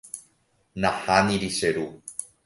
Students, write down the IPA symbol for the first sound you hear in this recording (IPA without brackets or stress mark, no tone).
n